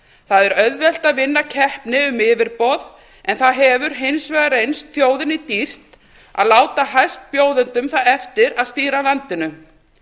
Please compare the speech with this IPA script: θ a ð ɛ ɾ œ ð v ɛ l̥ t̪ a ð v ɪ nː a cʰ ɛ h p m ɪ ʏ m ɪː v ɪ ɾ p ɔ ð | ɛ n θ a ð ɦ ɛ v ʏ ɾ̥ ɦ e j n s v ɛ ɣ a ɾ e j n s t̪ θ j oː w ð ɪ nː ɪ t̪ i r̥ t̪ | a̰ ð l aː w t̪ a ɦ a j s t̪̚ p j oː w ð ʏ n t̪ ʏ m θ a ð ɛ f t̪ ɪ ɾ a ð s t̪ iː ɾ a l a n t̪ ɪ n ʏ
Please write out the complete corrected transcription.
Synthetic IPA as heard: θ a ð ɛ ɾ œ ð v ɛ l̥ t̪ a ð v ɪ nː a cʰ ɛ h p n ɪ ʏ m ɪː v ɪ ɾ p ɔ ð | ɛ n θ a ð ɦ ɛ v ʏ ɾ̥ ɦ e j n s v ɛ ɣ a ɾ e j n s t̪ θ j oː w ð ɪ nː ɪ t̪ i r̥ t̪ | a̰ ð l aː w t̪ a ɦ a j s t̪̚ p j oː w ð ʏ n t̪ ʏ m θ a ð ɛ f t̪ ɪ ɾ a ð s t̪ iː ɾ a l a n t̪ ɪ n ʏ